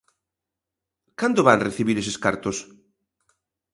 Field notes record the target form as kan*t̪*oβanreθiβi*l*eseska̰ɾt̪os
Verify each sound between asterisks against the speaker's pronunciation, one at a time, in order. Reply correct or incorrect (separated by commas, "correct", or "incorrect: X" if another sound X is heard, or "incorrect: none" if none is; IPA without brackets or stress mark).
incorrect: d̪, incorrect: ɾ